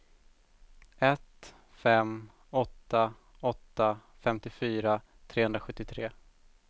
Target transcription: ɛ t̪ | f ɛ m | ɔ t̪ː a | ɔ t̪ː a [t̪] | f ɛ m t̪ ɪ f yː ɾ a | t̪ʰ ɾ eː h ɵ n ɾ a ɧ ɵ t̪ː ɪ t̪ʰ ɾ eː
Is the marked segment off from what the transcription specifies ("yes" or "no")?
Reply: yes